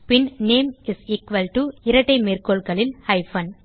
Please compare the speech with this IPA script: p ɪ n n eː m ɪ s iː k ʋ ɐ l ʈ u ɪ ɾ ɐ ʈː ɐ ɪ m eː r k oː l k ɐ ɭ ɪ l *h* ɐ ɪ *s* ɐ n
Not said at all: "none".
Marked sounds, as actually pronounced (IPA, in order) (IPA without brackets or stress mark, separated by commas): h, f